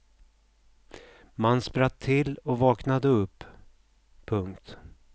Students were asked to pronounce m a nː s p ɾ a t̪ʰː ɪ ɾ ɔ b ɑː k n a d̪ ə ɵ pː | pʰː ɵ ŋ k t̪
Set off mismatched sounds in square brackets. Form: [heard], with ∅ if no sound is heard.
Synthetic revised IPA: m a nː s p ɾ a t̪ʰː ɪ [l] ɔ [v] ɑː k n a d̪ ə ɵ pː | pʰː ɵ ŋ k t̪